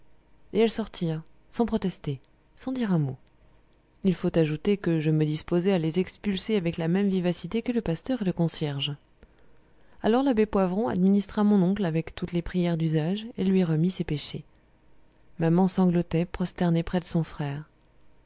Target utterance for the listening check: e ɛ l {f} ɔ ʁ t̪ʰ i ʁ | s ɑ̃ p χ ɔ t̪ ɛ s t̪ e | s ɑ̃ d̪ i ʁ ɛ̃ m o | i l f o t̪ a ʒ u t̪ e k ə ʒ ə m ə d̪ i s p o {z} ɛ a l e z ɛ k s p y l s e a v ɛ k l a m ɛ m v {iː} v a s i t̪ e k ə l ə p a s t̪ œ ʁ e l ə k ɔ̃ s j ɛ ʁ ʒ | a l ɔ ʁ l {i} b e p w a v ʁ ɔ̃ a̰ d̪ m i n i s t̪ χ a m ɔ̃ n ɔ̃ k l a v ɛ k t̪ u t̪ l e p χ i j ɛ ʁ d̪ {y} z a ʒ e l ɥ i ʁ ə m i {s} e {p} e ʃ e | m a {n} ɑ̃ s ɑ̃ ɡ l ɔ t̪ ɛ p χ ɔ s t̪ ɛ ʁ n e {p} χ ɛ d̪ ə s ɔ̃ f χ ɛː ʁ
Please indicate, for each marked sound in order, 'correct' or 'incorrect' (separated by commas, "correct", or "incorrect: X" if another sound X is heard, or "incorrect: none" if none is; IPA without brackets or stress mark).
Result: incorrect: s, correct, incorrect: i, incorrect: a, correct, correct, correct, incorrect: m, correct